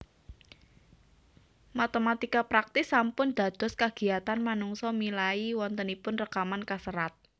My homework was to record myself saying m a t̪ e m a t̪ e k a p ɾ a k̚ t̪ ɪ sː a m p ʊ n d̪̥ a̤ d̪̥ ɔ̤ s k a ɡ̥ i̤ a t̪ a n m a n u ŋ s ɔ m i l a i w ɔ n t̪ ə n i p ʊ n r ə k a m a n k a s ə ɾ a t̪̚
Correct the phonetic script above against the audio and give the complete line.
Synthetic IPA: m a t̪ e m a t̪ i k a p ɾ a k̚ t̪ ɪ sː a m p ʊ n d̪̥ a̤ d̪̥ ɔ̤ s k a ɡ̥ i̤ a t̪ a n m a n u ŋ s ɔ m i l a i w ɔ n t̪ ə n i p ʊ n r ə k a m a n k a s ə ɾ a t̪̚